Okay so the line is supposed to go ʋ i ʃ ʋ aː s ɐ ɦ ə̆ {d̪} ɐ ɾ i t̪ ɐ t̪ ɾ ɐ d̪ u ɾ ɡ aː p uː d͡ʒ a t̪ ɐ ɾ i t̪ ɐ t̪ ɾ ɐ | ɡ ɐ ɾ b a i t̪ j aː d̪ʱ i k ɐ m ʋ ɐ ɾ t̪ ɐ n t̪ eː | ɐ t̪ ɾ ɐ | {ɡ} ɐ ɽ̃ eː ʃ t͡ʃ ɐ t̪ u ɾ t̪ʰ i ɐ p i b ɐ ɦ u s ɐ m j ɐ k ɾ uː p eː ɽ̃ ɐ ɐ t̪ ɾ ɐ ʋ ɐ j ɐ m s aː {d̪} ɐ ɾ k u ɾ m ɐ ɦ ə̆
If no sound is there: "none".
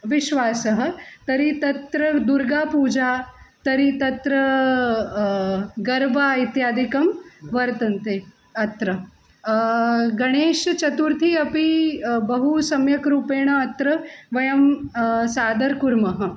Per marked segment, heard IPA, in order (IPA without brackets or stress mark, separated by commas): t̪, ɡ, d̪